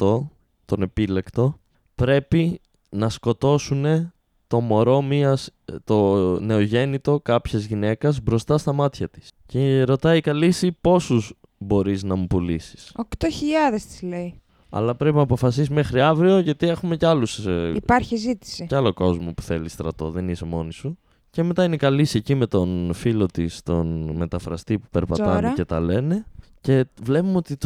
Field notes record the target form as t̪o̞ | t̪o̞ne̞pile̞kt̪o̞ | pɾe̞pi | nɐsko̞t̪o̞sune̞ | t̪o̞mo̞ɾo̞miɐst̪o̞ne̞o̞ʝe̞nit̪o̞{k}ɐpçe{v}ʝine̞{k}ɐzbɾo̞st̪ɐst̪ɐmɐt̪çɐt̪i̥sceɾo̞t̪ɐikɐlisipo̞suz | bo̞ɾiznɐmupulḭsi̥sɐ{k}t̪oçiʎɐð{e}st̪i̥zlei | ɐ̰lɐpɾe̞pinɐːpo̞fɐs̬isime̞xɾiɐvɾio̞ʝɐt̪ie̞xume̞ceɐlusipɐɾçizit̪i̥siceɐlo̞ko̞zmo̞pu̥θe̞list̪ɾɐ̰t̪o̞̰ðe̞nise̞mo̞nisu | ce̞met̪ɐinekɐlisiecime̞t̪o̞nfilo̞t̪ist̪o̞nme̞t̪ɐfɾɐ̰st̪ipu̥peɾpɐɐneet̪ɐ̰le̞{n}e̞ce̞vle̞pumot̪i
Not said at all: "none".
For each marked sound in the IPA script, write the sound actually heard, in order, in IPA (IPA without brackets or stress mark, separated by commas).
k, z, k, k, e, n